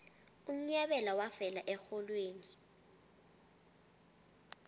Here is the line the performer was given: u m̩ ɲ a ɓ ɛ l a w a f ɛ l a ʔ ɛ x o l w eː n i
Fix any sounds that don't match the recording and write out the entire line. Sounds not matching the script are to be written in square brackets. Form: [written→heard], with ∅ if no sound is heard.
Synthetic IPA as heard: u m̩ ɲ a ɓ ɛ l a w a f ɛ l a ʔ ɛ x [o→ɔ] l w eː n i